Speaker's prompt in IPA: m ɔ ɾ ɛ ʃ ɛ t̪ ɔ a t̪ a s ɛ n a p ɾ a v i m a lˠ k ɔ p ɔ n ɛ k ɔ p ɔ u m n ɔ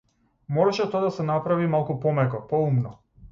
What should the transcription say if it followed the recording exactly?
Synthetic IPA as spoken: m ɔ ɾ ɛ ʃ ɛ t̪ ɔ a d̪ a s ɛ n a p ɾ a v i m a lˠ k u p ɔ m ɛ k ɔ p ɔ u m n ɔ